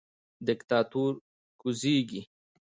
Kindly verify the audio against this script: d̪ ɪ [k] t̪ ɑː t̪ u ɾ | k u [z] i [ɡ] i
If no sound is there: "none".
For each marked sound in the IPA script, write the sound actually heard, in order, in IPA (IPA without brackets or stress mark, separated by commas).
k, z, ɡ